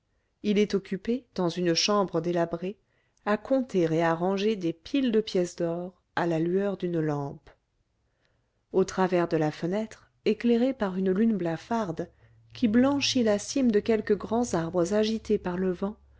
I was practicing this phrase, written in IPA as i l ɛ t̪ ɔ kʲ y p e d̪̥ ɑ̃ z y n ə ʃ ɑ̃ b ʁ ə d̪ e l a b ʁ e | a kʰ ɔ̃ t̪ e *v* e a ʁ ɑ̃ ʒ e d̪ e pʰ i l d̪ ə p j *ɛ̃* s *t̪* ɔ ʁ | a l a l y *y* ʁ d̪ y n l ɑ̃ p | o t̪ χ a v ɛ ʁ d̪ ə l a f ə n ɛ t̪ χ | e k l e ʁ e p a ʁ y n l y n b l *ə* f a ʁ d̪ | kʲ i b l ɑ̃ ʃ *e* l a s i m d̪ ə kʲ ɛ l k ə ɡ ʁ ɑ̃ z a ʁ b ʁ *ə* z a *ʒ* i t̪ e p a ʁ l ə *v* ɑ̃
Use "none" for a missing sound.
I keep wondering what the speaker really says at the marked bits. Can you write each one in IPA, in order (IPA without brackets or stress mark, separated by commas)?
ʁ, ɛ, d̪, œ, a, i, ə, ʒ, v